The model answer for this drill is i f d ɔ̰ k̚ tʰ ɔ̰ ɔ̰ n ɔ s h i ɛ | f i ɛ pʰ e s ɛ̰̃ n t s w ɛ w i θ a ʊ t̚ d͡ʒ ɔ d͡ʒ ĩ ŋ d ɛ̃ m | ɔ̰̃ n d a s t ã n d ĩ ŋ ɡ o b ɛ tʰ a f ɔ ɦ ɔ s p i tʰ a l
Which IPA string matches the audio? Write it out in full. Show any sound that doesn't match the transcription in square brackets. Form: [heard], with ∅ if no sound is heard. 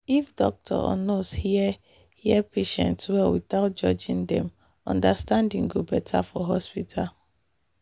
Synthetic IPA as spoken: i f d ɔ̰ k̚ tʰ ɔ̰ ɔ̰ n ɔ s h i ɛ | [h] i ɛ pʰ e [ʃ] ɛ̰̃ n t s w ɛ w i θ a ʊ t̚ d͡ʒ ɔ d͡ʒ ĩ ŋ d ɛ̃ m | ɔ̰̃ n d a s t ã n d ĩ ŋ ɡ o b ɛ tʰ a f ɔ ɦ ɔ s p i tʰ a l